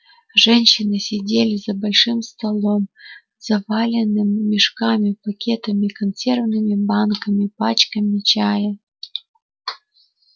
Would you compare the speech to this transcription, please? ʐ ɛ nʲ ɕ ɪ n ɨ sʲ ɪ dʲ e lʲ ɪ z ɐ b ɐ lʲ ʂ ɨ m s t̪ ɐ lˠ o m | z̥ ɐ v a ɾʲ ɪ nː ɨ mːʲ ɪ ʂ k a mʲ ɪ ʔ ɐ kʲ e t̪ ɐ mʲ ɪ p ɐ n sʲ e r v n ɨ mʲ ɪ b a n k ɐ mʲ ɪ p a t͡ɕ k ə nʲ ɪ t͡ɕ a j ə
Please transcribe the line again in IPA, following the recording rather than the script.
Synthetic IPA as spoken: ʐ ɛ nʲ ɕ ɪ n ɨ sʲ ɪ dʲ e lʲ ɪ z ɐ b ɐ lʲ ʂ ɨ m s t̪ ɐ lˠ o m | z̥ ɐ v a lʲ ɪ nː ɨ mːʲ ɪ ʂ k a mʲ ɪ p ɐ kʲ e t̪ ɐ mʲ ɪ k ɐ n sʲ e r v n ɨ mʲ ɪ b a n k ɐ mʲ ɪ p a t͡ɕ k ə mʲ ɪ t͡ɕ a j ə